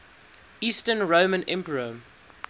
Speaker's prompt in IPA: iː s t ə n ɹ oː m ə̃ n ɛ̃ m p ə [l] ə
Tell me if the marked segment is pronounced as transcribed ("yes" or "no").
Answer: no